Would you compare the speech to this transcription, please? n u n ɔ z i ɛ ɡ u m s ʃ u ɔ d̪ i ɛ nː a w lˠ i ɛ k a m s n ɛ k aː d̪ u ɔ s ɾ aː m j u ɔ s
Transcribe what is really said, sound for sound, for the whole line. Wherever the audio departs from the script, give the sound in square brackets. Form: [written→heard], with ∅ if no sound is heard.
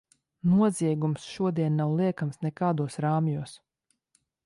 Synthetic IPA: n u [n→∅] ɔ z i ɛ ɡ u m s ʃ u ɔ d̪ i ɛ nː a w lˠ i ɛ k a m s n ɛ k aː d̪ u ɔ s ɾ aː m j u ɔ s